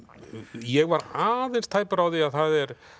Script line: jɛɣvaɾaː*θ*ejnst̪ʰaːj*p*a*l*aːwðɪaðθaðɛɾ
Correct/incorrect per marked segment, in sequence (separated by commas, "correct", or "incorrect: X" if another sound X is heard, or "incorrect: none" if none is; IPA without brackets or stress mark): incorrect: ð, correct, incorrect: ɾ